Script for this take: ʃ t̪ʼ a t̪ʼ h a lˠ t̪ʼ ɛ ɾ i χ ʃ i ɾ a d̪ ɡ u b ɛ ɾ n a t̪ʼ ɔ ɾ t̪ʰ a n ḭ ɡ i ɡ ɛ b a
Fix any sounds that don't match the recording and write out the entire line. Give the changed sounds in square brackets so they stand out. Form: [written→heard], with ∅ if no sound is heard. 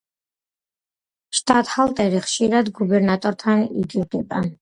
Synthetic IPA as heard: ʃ t̪ʼ a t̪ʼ h a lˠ t̪ʼ ɛ ɾ i χ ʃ i ɾ a d̪ ɡ u b ɛ ɾ n a t̪ʼ ɔ ɾ t̪ʰ a n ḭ ɡ i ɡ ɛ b a